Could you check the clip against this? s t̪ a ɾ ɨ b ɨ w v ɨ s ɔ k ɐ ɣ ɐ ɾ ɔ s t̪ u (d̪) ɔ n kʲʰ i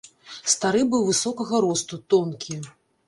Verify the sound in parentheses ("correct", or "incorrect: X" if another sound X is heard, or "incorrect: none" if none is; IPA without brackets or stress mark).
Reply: incorrect: t̪